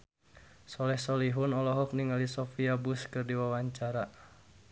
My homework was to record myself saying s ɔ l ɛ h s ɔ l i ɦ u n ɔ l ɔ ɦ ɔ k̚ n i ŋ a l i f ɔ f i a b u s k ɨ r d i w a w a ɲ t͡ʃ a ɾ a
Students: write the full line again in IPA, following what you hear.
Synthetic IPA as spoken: s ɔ l ɛ h s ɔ l i ɦ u n ɔ l ɔ ɦ ɔ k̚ n i ŋ a l i s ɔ f i a b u s k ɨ r d i w a w a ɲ t͡ʃ a ɾ a